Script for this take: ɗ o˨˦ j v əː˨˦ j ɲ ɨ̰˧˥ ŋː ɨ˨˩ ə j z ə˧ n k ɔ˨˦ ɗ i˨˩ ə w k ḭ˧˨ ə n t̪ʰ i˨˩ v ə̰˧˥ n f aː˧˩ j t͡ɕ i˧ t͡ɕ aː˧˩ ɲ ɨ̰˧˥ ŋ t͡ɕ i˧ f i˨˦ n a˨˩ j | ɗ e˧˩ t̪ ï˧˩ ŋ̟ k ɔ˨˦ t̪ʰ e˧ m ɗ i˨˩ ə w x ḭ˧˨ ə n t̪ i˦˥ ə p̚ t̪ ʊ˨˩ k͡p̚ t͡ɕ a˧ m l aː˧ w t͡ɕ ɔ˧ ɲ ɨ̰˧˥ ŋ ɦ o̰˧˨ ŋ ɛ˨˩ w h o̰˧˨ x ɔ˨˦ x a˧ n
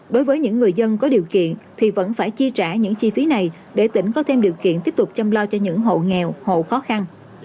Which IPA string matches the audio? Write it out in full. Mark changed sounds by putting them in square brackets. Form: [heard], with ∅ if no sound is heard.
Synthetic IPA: ɗ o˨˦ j v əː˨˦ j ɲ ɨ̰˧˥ ŋː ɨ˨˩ ə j z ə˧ n k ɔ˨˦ ɗ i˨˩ ə w k ḭ˧˨ ə n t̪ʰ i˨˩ v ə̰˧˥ n f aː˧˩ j t͡ɕ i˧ t͡ɕ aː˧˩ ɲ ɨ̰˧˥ ŋ t͡ɕ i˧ f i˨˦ n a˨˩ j | ɗ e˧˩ t̪ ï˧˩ ŋ̟ k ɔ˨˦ t̪ʰ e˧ m ɗ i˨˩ ə w [k] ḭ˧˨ ə n t̪ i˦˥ ə p̚ t̪ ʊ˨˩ k͡p̚ t͡ɕ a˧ m l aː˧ w t͡ɕ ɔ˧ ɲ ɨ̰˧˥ ŋ ɦ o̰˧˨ ŋ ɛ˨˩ w h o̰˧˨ x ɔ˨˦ x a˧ n